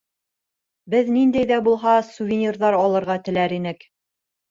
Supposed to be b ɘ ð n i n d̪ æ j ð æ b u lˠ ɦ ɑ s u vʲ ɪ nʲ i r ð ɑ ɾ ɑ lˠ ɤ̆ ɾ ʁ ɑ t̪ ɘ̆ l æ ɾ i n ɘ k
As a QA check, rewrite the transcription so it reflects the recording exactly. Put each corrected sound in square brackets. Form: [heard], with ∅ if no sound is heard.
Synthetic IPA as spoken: b ɘ ð n i n d̪ æ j ð æ b u lˠ ɦ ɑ s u vʲ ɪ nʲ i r ð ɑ ɾ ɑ lˠ ɤ̆ ɾ ʁ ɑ t̪ ɘ̆ l æ ɾ i n ɘ k